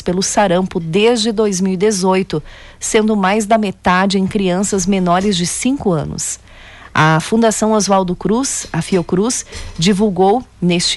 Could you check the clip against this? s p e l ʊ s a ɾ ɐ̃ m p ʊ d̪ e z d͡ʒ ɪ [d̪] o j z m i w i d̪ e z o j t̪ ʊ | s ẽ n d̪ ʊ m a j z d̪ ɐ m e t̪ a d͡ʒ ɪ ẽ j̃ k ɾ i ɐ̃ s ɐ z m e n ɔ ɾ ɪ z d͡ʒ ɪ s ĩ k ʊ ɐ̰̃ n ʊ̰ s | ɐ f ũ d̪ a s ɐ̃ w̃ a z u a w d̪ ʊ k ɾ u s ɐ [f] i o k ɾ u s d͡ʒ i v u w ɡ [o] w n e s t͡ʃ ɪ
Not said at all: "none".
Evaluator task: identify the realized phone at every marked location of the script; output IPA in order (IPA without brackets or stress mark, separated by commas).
d̪, f, o